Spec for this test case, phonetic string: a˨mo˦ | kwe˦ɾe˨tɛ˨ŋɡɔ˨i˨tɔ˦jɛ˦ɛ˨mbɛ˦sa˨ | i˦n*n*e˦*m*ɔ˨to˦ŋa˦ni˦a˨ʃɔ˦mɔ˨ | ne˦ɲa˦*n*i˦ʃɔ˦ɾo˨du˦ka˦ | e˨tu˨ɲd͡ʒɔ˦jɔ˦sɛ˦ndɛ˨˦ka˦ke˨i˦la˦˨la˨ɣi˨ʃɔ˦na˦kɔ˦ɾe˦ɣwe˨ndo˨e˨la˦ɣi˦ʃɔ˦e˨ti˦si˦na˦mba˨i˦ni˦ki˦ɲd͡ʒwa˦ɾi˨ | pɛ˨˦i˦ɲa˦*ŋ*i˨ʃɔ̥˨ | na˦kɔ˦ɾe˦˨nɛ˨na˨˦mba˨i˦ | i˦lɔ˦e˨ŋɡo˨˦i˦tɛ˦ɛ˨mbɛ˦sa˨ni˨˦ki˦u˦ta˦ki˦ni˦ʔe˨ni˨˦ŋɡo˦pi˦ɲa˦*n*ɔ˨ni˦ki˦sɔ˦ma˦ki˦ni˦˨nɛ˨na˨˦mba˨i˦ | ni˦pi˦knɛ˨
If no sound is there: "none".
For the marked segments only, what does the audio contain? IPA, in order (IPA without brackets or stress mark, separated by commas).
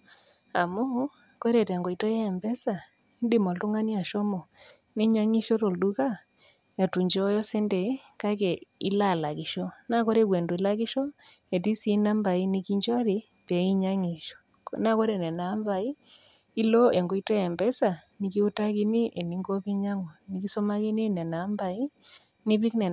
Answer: d, m, ŋ, ŋ, ŋ